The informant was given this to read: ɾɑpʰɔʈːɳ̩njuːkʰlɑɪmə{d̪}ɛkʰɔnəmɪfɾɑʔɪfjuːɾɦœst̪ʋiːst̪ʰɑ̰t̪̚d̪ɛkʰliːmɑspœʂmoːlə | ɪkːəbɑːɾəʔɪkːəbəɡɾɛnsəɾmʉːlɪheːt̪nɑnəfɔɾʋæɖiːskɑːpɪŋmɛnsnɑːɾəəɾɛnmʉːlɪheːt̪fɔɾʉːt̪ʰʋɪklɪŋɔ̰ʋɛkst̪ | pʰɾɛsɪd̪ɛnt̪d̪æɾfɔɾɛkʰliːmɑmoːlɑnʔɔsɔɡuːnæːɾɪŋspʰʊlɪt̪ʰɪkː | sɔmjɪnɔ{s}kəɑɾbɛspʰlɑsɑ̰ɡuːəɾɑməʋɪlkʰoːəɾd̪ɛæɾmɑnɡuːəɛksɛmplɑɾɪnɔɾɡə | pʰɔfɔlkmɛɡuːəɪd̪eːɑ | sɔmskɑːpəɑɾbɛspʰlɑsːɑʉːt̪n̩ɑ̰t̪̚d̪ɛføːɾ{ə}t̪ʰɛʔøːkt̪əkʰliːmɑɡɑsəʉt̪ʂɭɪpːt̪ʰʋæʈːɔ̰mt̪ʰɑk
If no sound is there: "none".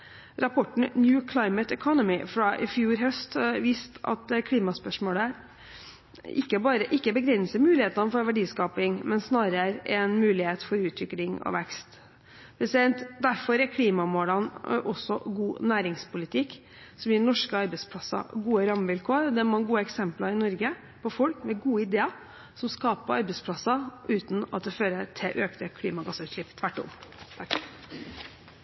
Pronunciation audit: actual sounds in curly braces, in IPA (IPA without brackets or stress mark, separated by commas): t̪, ʂ, ə